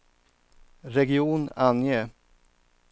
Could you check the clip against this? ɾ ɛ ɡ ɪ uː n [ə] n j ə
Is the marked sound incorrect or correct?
incorrect